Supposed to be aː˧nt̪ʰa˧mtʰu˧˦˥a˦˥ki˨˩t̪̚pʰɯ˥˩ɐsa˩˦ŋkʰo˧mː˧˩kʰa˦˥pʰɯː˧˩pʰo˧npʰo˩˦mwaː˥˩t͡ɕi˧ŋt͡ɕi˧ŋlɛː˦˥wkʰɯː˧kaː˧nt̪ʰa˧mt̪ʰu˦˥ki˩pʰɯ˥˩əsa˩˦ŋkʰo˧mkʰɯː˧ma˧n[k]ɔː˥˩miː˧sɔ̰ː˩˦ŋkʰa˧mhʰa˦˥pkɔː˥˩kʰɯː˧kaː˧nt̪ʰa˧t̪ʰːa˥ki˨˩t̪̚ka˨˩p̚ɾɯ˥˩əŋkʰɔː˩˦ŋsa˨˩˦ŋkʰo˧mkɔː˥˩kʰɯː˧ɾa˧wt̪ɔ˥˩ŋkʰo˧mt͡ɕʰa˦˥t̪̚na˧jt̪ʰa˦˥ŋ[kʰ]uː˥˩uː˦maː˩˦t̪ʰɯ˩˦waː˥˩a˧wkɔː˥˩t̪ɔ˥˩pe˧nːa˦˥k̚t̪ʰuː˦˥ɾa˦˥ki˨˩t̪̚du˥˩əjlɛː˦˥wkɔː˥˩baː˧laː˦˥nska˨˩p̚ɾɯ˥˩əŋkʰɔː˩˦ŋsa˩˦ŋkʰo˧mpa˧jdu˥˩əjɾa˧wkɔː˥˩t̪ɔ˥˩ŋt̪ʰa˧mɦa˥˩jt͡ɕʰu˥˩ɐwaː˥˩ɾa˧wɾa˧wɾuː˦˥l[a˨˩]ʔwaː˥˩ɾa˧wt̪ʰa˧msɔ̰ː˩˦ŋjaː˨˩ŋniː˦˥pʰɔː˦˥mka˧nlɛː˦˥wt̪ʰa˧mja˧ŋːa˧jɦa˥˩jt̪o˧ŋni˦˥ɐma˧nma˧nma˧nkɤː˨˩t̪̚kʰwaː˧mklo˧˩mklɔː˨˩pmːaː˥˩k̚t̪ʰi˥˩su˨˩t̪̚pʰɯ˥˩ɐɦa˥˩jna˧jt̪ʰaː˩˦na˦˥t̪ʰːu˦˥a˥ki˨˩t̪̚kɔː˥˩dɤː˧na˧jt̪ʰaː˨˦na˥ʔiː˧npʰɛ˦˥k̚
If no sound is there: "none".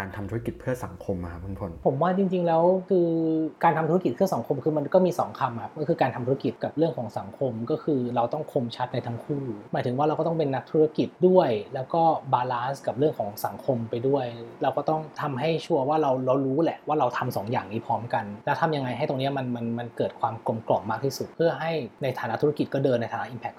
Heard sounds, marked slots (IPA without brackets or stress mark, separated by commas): k, kʰ, ɛ˨˩